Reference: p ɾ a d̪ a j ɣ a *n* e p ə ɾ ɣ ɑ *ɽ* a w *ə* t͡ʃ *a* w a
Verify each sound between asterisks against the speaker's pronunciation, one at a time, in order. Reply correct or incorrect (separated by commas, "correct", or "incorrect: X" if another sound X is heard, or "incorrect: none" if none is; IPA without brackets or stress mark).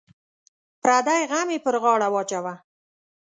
incorrect: m, correct, incorrect: ɑ, correct